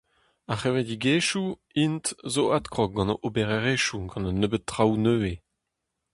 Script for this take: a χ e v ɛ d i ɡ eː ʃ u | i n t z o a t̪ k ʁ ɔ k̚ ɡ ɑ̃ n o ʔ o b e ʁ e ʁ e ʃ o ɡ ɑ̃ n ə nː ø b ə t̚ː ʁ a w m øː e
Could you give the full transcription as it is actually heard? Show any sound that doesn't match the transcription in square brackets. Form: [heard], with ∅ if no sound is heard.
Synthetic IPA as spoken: a χ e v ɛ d i ɡ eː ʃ u | i n t z o a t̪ k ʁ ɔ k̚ ɡ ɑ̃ n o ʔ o b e ʁ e ʁ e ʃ [u] ɡ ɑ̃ n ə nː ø b ə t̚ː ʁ a w [n] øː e